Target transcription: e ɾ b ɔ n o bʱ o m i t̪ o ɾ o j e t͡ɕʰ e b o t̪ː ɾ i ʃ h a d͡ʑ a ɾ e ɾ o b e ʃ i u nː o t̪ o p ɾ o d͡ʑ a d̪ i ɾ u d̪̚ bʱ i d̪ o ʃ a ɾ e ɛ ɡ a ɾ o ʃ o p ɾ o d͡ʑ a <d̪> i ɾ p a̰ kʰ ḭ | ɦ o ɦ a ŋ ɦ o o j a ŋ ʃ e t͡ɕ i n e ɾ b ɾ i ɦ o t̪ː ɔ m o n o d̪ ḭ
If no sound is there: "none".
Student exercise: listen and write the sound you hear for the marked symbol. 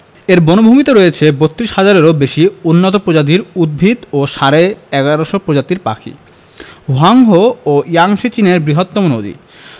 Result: t̪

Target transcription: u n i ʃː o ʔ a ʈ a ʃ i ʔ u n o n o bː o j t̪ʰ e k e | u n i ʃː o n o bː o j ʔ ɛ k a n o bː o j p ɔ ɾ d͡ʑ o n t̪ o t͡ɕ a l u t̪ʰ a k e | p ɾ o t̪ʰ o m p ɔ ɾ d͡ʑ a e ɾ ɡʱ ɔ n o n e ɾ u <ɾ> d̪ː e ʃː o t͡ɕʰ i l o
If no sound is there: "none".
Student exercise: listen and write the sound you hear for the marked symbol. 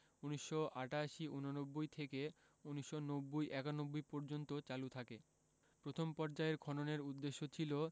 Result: none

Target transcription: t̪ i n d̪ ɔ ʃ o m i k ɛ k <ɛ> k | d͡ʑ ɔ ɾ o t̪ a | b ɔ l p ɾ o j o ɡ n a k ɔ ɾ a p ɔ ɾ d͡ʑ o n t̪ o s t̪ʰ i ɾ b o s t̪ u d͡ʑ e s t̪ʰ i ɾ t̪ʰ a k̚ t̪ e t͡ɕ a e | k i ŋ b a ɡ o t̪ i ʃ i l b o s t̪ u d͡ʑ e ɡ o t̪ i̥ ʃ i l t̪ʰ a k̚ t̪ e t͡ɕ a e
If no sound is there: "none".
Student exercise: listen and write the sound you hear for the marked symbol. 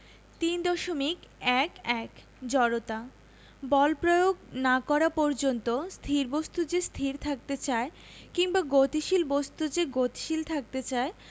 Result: ɛ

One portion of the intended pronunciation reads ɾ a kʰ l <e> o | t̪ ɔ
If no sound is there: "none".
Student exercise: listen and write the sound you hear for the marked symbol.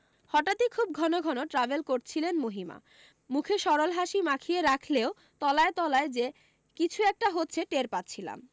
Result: e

